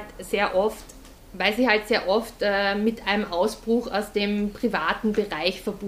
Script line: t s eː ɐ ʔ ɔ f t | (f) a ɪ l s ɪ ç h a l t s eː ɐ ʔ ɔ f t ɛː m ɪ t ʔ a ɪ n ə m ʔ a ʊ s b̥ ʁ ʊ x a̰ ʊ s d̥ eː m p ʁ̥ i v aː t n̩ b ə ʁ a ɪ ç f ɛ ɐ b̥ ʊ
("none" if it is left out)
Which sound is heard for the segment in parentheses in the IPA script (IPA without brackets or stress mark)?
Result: v